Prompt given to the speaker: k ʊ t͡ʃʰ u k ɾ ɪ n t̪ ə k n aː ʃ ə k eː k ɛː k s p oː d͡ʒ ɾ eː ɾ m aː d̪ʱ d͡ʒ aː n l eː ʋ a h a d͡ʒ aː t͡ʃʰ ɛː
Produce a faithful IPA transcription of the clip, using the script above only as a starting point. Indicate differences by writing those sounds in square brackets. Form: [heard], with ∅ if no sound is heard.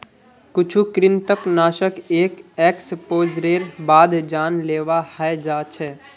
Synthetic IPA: k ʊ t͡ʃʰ u k ɾ ɪ n t̪ ə k n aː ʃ ə k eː k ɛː k s p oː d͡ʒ ɾ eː ɾ [b] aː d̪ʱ d͡ʒ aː n l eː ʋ a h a d͡ʒ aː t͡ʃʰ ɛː